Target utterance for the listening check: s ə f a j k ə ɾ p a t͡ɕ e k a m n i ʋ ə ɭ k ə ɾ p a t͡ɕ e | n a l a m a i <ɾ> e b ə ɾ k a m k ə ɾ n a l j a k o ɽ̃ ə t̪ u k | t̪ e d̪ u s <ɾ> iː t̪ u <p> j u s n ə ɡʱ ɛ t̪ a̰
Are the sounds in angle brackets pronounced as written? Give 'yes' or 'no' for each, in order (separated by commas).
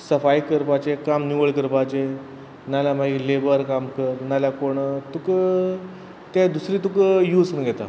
no, yes, no